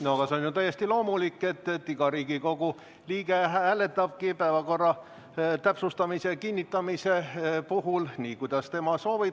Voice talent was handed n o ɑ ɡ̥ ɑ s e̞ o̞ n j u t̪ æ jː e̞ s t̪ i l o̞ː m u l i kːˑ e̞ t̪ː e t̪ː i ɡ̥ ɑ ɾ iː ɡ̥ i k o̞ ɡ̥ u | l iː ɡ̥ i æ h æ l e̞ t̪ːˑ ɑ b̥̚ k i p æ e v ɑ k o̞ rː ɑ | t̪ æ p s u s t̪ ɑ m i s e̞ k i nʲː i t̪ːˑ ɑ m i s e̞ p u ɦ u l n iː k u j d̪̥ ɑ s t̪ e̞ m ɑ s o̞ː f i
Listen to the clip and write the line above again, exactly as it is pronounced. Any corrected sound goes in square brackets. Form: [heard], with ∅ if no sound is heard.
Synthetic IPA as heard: n o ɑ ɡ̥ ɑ s e̞ o̞ n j u t̪ æ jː e̞ s t̪ i l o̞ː m u l i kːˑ e̞ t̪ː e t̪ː i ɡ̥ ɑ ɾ iː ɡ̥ i k o̞ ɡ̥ u | l iː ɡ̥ [e] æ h æ l e̞ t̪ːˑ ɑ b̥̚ k i p æ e v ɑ k o̞ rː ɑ | t̪ æ p s u s t̪ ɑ m i s e̞ k i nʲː i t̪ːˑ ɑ m i s e̞ p u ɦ u l n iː k u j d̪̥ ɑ s t̪ e̞ m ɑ s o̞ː [v] i